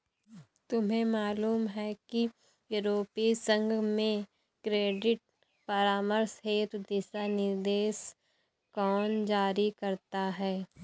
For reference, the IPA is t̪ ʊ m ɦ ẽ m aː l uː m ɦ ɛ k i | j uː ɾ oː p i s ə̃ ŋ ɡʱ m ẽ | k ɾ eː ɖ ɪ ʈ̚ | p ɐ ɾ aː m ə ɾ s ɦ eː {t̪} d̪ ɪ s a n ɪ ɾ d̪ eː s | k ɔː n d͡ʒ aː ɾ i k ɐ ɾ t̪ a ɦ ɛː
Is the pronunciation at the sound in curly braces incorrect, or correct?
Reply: correct